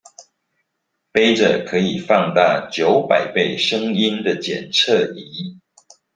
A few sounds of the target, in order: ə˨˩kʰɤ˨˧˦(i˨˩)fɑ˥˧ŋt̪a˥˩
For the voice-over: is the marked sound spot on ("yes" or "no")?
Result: yes